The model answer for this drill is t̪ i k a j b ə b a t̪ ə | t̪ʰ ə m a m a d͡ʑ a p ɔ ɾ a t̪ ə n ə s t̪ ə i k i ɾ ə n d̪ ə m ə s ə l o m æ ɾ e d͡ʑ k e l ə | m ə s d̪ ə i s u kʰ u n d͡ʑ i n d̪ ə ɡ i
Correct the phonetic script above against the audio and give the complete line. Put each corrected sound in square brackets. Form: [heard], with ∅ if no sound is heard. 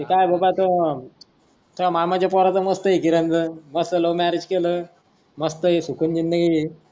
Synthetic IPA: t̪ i k a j b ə b a t̪ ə | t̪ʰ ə m a m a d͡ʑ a p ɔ ɾ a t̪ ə [m] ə s t̪ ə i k i ɾ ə n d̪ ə m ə s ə l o m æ ɾ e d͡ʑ k e l ə | m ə s [t̪] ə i s u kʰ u n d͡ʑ i n d̪ ə ɡ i

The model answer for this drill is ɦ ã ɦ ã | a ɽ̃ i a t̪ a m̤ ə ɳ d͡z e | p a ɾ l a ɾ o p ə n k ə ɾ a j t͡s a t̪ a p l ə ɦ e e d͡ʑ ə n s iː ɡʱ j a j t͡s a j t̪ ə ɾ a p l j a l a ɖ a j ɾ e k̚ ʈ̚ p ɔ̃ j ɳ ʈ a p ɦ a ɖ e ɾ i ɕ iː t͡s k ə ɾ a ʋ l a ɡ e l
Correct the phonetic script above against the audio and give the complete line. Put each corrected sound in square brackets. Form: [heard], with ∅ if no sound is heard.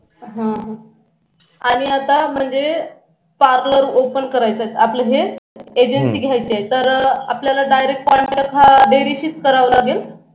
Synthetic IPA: ɦ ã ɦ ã | a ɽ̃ i a t̪ a m̤ ə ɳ d͡z e | p a ɾ l [ə] ɾ o p ə n k ə ɾ a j t͡s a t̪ a p l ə ɦ e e d͡ʑ ə n s iː ɡʱ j a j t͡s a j t̪ ə ɾ a p l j a l a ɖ a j ɾ e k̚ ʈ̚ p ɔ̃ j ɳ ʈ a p ɦ a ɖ e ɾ i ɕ iː t͡s k ə ɾ a ʋ l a ɡ e l

